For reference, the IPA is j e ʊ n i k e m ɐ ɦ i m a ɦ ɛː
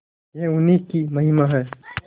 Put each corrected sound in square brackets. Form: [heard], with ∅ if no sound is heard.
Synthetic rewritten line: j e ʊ n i k [i] m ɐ ɦ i m a ɦ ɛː